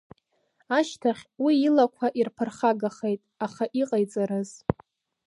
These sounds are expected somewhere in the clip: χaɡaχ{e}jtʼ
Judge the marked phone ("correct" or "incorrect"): correct